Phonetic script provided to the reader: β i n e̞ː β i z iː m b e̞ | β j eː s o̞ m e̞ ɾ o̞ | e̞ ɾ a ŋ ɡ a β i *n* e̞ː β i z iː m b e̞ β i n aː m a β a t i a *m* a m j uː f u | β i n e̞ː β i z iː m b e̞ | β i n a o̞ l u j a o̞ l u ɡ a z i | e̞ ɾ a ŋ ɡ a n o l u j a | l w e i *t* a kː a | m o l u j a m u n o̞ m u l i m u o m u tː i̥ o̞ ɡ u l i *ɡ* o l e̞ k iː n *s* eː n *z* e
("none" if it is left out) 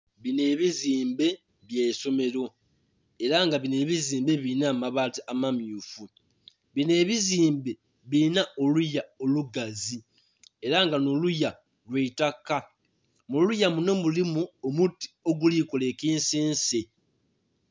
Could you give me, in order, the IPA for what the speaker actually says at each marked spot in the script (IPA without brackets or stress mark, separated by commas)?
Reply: n, m, t, k, s, s